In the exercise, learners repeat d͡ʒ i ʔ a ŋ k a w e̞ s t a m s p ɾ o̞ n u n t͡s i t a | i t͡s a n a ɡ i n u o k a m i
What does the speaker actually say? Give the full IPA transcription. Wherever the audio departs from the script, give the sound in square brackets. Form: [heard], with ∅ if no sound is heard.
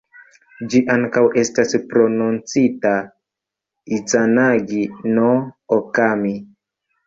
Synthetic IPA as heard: d͡ʒ i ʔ a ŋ k a w e̞ s t a [∅] s p ɾ o̞ n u n t͡s i t a | i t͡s a n a ɡ i n [o] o k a m i